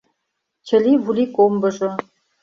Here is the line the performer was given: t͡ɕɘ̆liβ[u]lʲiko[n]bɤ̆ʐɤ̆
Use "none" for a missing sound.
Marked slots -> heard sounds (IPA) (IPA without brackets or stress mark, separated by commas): u, m